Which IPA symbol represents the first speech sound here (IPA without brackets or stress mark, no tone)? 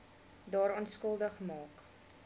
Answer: d